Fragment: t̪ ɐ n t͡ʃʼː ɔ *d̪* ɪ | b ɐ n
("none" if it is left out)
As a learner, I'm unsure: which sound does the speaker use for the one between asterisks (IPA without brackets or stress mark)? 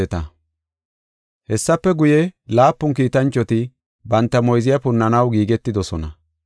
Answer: t̪